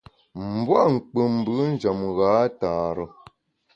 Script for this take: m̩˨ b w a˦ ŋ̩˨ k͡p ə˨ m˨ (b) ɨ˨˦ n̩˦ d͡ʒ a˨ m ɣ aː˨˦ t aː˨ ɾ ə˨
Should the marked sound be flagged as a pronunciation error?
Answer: no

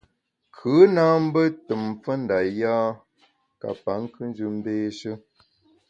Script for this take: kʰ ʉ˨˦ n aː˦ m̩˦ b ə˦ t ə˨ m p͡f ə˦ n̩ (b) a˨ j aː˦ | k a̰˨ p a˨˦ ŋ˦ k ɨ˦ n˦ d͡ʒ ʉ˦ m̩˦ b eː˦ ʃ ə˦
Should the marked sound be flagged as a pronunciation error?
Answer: yes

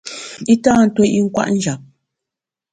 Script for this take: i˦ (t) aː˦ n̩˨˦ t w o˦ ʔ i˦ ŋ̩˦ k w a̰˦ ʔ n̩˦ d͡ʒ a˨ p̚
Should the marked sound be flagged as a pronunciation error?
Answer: no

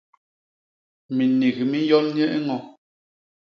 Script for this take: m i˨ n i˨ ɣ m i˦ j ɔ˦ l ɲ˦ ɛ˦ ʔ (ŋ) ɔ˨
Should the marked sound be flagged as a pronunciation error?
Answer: no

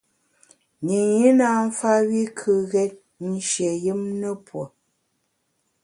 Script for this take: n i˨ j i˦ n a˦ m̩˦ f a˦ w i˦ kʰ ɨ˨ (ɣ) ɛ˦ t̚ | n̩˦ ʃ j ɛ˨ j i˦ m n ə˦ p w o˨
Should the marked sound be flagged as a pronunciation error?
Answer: no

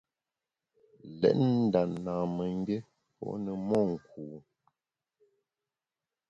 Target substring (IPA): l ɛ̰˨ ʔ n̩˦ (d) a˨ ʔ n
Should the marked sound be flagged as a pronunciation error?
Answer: no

